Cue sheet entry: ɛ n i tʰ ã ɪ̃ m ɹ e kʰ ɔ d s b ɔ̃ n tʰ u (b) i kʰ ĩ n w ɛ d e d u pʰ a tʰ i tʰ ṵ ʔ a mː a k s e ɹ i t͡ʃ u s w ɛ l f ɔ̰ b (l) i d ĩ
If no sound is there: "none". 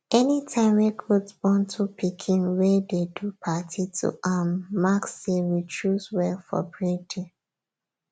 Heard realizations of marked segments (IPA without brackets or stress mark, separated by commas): p, ɹ